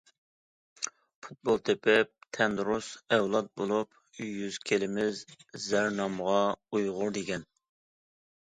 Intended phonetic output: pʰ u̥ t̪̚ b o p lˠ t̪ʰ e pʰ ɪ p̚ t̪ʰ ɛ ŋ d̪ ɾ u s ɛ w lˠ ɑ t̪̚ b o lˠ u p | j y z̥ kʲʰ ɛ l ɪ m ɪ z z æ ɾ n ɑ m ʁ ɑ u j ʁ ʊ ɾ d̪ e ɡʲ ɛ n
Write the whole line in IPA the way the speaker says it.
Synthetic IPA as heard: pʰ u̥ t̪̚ b o lˠ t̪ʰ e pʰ ɪ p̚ t̪ʰ ɛ n d̪ ɾ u s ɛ w lˠ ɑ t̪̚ b o lˠ u p | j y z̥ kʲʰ e l ɪ m ɪ z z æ ɾ n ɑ m ʁ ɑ u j ʁ ʊ ɾ d̪ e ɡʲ ɛ n